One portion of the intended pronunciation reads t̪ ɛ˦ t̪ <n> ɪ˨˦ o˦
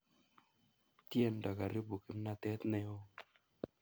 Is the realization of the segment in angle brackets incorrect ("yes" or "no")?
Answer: no